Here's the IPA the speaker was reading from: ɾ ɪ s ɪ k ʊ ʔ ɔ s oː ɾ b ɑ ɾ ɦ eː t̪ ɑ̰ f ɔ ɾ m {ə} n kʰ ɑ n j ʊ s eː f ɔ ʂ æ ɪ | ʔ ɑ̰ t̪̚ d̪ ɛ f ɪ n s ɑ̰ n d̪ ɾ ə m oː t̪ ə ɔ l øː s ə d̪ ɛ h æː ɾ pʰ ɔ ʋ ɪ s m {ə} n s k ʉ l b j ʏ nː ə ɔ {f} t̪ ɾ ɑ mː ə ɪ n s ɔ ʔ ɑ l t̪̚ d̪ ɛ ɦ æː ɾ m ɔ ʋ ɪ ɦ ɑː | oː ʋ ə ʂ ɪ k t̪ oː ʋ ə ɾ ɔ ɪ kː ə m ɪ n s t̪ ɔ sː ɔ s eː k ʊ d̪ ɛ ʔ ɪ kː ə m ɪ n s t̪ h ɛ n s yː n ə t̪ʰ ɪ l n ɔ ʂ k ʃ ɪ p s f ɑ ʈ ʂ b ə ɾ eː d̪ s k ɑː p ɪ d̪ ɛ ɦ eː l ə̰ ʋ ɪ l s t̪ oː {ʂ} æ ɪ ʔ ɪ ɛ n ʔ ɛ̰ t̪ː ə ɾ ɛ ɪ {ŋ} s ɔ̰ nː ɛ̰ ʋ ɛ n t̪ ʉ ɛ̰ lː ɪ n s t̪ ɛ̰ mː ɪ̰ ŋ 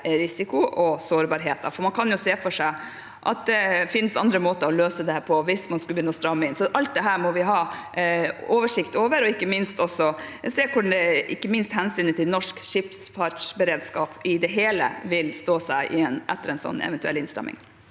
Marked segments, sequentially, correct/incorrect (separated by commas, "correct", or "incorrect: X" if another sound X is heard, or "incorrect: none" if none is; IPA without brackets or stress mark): incorrect: ɑ, incorrect: ɑ, incorrect: s, incorrect: s, incorrect: n